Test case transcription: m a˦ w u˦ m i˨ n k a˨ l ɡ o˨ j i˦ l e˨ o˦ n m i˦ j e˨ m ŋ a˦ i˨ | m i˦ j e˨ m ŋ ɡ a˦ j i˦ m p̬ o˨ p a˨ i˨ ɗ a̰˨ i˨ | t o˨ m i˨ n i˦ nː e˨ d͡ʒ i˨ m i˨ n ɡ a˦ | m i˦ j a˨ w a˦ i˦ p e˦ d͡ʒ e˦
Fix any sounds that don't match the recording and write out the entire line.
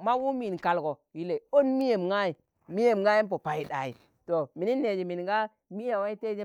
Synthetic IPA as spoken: m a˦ w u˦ m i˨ n k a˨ l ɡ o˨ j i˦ l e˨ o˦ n m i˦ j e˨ m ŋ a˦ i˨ | m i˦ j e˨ m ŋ ɡ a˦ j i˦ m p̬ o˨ p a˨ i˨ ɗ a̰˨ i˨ | t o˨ m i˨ n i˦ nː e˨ d͡ʒ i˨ m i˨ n ɡ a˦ | m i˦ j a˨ w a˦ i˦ t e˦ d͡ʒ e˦